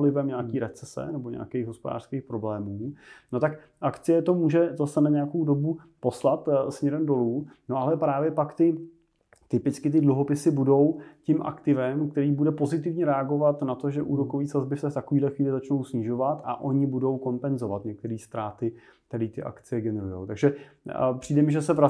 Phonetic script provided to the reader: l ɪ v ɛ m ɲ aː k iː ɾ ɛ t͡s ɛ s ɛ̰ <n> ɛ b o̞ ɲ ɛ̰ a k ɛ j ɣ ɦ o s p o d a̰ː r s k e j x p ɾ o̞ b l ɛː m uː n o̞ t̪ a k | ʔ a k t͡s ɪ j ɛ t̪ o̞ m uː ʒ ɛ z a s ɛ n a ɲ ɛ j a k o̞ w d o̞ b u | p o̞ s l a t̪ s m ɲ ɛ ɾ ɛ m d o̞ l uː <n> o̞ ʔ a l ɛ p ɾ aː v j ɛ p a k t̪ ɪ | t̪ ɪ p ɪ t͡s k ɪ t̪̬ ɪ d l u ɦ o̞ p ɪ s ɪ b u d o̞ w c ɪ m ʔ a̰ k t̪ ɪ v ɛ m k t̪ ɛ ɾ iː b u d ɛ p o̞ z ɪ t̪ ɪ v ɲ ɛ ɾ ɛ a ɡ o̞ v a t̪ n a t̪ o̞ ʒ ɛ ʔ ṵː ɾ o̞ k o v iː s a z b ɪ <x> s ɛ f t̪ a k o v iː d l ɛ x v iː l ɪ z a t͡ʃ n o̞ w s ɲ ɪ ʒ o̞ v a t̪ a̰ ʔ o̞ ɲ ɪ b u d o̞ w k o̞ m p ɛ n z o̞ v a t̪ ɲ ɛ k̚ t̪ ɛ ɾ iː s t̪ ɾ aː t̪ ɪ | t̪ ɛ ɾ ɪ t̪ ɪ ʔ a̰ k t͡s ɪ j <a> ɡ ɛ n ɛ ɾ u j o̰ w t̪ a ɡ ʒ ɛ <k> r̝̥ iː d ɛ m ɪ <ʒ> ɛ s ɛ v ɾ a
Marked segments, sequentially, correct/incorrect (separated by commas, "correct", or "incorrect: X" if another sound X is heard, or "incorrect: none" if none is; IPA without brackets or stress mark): correct, correct, incorrect: f, incorrect: ɛ, incorrect: p, correct